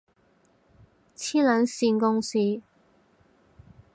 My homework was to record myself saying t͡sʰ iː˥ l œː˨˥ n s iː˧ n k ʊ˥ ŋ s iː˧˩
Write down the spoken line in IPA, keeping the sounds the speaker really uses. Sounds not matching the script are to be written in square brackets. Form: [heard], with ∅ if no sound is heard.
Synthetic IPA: t͡sʰ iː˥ l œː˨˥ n s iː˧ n k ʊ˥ ŋ s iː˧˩